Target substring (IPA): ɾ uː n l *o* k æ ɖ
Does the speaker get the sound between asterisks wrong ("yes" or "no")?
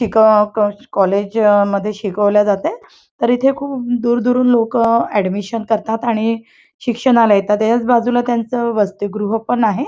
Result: no